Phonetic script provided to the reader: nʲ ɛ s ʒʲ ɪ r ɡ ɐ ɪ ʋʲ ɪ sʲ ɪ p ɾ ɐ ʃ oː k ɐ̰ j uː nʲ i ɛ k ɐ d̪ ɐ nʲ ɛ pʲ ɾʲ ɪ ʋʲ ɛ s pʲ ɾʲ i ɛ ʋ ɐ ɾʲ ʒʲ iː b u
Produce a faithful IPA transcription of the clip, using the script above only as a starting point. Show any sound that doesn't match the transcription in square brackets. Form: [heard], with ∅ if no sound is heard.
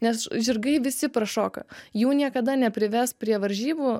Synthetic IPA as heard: nʲ ɛ s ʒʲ ɪ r ɡ ɐ ɪ ʋʲ ɪ sʲ ɪ p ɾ ɐ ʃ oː k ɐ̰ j uː nʲ i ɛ k ɐ d̪ ɐ nʲ ɛ pʲ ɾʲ ɪ ʋʲ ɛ s pʲ ɾʲ i ɛ ʋ ɐ ɾʲ ʒʲ iː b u